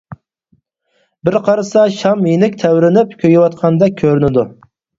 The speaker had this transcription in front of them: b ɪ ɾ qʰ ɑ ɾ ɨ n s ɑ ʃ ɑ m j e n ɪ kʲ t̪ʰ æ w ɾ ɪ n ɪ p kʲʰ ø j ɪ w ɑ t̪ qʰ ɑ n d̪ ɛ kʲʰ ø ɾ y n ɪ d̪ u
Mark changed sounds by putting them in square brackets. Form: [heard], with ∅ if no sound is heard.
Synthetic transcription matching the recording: b ɪ ɾ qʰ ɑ ɾ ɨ [∅] s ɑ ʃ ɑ m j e n ɪ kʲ t̪ʰ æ w ɾ ɪ n ɪ p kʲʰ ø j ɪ w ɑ t̪ qʰ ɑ n d̪ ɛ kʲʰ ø ɾ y n ɪ d̪ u